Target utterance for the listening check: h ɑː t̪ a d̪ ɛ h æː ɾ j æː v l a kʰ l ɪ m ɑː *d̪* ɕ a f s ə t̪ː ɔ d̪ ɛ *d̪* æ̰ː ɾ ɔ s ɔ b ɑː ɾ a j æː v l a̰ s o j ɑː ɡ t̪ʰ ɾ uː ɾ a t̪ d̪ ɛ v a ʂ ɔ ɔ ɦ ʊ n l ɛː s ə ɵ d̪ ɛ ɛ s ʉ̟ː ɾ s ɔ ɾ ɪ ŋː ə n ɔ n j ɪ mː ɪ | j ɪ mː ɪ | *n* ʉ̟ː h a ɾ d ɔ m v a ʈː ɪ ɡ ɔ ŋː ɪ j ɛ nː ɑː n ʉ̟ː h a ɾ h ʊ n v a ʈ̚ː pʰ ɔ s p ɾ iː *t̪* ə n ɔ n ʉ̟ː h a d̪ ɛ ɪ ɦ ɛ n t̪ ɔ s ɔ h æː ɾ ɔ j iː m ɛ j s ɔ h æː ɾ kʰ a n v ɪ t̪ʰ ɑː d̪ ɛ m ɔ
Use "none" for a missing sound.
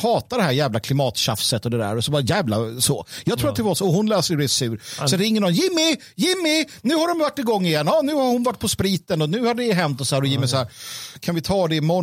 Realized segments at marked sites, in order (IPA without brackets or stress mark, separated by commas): t̪, d̪, n, t̪